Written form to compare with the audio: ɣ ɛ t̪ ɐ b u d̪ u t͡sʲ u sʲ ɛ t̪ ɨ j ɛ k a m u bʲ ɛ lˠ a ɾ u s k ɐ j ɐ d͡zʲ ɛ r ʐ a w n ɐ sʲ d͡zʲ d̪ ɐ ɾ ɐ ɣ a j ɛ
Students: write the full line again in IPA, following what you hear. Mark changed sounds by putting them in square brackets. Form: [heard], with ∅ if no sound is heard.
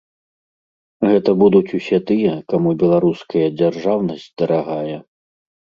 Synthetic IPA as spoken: ɣ ɛ t̪ ɐ b u d̪ u t͡sʲ u sʲ ɛ t̪ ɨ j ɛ k a m u bʲ ɛ lˠ a ɾ u s k ɐ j ɐ d͡zʲ [a] r ʐ a w n ɐ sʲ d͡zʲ d̪ ɐ ɾ [a] ɣ a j ɛ